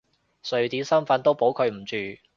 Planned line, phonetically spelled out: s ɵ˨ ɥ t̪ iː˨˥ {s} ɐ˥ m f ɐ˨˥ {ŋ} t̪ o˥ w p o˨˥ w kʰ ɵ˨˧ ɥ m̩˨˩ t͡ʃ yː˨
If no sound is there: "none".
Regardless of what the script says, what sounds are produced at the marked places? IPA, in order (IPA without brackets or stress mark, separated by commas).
s, n